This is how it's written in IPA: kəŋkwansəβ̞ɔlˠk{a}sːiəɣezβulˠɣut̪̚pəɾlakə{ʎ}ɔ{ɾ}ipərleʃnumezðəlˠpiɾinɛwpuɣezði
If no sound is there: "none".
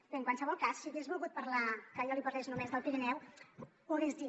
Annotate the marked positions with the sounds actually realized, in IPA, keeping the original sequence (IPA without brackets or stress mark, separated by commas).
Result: a, ʎ, l